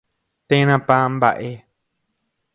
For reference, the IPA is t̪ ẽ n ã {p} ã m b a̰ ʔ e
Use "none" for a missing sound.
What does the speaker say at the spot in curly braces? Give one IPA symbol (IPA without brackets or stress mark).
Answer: p